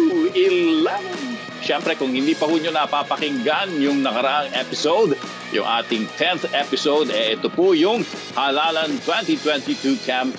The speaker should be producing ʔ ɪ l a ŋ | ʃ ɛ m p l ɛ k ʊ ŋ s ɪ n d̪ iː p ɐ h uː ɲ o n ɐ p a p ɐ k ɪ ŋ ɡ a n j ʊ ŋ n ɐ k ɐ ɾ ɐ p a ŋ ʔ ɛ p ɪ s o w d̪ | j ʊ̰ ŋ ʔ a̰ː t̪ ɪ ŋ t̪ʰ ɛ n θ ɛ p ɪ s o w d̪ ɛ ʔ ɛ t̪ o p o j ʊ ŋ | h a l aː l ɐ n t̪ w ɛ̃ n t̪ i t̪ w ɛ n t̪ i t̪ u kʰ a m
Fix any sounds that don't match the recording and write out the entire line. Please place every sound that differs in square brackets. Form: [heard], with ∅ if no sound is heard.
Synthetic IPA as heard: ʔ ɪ l a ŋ | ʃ ɛ m p [ɾ] ɛ k ʊ ŋ [h] ɪ n d̪ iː p ɐ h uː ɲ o n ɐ p a p ɐ k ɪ ŋ ɡ a n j ʊ ŋ n ɐ k ɐ ɾ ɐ [ʔ] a ŋ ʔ ɛ p ɪ s o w d̪ | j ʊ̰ ŋ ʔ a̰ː t̪ ɪ ŋ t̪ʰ ɛ n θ ɛ p ɪ s o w d̪ ɛ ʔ ɛ t̪ o p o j ʊ ŋ | h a l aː l ɐ n t̪ w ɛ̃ n t̪ i t̪ w ɛ n t̪ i t̪ u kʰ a m